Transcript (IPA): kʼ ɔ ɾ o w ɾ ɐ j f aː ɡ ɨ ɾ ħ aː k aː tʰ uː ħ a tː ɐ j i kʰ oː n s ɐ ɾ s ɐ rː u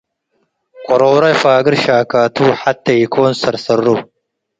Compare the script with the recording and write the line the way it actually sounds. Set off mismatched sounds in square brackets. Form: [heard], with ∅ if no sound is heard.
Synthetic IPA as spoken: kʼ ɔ ɾ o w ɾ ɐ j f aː ɡ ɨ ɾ [ʃ] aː k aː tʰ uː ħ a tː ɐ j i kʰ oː n s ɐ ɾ s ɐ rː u